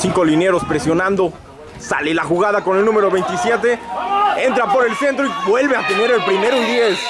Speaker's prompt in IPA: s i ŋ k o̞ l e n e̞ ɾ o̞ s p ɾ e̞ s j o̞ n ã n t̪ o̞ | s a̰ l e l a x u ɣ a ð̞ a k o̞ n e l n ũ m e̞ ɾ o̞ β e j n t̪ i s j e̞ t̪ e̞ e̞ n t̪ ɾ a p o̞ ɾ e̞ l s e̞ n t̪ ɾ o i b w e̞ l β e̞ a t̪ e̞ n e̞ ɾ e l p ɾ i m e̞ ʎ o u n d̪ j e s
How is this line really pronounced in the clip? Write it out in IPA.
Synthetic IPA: s i ŋ k o̞ l i n e̞ ɾ o̞ s p ɾ e̞ s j o̞ n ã n d̪ o̞ | s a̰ l e l a x u ɣ a ð̞ a k o̞ n e l n ũ m e̞ ɾ o̞ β e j n t̪ i s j e̞ t̪ e̞ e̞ n t̪ ɾ a p o̞ ɾ e̞ l s e̞ n t̪ ɾ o i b w e̞ l β e̞ a t̪ e̞ n e̞ ɾ e l p ɾ i m e̞ ɾ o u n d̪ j e s